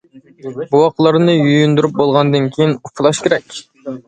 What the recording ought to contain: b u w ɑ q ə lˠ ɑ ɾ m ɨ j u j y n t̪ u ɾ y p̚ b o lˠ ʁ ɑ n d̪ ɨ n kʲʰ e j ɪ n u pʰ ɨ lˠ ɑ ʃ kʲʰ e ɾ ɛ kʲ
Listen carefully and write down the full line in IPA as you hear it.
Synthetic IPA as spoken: b u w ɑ q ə lˠ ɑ ɾ n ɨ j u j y n d̪ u ɾ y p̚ b o lˠ ʁ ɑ n d̪ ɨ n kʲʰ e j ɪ n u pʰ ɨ lˠ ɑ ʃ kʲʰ e ɾ ɛ kʲ